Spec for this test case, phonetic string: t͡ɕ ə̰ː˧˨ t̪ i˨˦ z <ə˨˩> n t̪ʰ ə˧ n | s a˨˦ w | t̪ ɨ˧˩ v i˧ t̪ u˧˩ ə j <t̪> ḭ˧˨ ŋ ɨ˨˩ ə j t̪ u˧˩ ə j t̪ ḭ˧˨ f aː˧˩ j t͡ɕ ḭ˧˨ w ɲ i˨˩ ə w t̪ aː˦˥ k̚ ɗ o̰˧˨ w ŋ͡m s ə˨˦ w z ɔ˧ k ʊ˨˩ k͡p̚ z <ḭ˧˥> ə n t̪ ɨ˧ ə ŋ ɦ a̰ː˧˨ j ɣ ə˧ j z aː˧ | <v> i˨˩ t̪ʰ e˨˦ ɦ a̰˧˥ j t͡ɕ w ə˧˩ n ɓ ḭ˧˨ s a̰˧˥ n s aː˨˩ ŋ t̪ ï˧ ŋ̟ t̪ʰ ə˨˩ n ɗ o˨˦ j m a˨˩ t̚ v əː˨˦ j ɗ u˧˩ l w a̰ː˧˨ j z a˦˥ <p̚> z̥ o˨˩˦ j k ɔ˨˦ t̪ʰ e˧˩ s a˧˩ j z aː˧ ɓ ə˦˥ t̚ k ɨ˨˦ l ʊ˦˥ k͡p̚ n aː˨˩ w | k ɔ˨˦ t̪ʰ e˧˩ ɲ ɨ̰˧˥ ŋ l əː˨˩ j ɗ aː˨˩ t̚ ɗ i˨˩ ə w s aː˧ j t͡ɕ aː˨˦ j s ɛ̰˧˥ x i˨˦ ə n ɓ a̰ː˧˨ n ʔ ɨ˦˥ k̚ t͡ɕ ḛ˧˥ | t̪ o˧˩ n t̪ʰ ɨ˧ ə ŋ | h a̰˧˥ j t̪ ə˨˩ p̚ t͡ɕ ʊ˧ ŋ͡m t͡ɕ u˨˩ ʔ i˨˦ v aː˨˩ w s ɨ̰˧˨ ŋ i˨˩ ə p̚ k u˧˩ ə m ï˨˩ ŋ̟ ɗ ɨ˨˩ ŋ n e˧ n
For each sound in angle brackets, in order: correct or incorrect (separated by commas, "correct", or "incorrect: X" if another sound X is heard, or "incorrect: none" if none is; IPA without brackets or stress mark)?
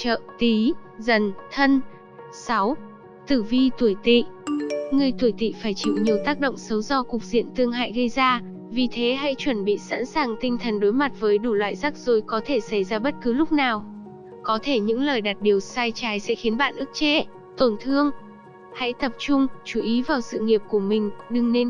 correct, correct, incorrect: ḭ˧˨, correct, incorrect: k̚